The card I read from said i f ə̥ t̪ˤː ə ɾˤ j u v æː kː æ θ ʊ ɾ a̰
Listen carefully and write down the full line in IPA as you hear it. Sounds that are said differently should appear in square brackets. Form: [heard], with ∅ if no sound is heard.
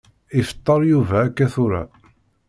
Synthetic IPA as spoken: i f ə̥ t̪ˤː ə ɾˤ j u v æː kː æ θ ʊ ɾ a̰